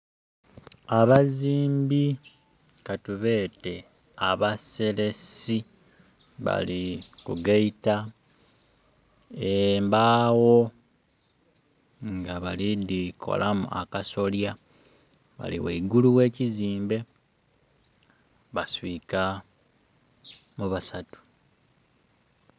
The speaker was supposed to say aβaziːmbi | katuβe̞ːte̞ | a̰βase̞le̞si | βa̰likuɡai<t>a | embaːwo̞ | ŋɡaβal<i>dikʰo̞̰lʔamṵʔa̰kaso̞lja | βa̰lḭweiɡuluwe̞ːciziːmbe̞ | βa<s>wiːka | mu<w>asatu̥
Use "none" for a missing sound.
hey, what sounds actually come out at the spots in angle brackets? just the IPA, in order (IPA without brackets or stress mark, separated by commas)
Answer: t, i, s, β